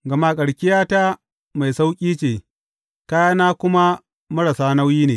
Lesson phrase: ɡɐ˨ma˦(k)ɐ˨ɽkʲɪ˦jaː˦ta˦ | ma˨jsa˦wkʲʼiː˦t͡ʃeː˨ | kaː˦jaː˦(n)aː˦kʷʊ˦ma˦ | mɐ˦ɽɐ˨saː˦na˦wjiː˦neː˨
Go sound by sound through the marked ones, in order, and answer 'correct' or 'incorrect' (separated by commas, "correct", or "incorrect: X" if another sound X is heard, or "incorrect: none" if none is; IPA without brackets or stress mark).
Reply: incorrect: kʼ, correct